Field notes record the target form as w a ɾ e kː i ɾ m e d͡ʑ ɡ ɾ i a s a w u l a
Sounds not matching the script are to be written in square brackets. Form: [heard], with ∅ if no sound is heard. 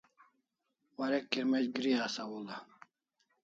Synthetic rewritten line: w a ɾ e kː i ɾ m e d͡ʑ ɡ ɾ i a s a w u l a